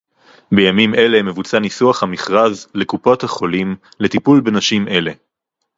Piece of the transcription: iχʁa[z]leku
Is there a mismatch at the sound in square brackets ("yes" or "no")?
no